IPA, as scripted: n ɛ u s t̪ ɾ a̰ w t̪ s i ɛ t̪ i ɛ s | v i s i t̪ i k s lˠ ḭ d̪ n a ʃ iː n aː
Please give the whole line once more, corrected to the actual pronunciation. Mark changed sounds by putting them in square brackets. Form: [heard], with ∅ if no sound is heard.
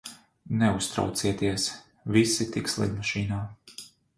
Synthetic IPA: n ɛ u s t̪ ɾ a̰ w t̪ s i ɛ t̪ i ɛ s | v i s i t̪ i k s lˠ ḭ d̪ [m] a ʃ iː n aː